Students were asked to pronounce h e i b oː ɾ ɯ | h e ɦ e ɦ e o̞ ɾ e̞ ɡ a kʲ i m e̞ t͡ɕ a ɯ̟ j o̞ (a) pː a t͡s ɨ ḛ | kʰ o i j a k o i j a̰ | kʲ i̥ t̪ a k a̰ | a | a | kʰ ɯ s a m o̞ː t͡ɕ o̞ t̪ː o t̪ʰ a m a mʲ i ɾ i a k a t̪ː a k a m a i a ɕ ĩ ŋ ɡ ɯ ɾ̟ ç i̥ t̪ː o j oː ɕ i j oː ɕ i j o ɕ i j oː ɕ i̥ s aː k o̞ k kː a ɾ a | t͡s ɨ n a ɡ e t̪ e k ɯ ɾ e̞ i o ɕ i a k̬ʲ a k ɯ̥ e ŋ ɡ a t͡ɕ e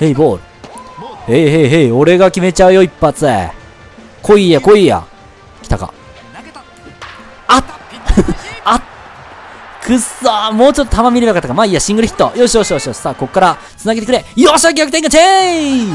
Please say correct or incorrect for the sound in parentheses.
incorrect